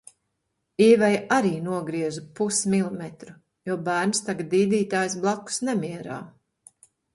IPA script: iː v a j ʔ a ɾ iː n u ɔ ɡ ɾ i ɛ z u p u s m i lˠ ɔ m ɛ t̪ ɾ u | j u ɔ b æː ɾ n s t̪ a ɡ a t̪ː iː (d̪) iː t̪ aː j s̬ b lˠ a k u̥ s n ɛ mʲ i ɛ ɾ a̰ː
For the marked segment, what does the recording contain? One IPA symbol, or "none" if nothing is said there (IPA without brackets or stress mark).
d̪